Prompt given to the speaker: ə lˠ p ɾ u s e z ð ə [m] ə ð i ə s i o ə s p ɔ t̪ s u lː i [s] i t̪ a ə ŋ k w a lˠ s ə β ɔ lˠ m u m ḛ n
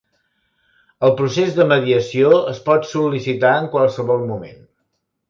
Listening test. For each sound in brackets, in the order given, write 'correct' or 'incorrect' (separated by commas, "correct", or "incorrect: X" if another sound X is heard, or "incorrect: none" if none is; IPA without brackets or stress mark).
correct, correct